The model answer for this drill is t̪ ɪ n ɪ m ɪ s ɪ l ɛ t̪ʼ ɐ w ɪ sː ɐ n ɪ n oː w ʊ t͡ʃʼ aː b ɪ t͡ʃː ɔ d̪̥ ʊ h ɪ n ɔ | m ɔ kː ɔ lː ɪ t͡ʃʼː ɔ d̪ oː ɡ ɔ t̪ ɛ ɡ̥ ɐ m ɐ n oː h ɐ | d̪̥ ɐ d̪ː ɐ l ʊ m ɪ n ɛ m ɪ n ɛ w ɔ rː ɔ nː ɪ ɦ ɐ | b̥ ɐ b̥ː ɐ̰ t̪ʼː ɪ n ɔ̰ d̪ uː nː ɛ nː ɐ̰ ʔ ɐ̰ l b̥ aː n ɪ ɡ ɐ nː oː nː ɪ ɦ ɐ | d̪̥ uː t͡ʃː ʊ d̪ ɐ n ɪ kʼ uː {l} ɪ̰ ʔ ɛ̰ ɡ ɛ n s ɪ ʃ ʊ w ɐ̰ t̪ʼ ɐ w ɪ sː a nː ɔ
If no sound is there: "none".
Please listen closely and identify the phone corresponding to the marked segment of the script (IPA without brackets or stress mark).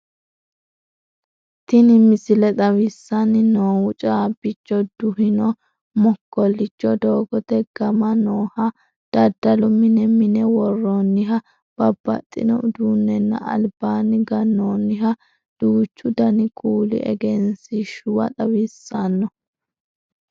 l